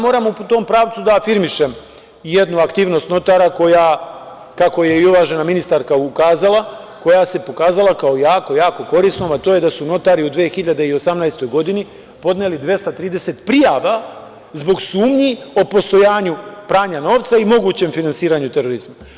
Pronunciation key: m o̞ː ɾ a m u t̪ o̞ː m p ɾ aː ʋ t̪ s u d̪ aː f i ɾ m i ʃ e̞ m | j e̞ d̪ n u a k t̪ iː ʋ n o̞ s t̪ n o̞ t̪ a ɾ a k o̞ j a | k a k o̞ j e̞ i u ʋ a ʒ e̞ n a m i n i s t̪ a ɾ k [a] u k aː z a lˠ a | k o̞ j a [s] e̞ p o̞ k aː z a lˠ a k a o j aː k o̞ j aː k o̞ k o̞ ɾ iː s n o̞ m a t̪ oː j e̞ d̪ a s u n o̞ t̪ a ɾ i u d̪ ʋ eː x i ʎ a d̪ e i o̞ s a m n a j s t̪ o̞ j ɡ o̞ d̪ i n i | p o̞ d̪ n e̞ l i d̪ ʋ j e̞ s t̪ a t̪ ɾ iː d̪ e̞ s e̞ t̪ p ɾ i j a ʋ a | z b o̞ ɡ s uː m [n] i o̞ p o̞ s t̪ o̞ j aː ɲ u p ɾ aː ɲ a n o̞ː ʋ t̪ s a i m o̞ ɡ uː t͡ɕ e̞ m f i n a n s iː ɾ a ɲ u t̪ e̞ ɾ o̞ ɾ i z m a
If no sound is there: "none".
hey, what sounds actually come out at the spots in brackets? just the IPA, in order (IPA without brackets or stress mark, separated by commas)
a, s, ɲ